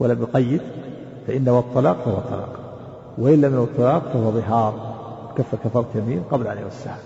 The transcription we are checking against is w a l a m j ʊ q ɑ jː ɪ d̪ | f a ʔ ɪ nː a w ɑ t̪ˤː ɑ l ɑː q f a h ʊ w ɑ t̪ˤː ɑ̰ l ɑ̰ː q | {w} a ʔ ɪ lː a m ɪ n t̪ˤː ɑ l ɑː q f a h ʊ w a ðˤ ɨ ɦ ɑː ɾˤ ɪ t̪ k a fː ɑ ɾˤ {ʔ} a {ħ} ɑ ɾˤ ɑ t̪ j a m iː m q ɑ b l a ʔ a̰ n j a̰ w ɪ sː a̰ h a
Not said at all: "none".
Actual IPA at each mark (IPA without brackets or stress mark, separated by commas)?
w, k, f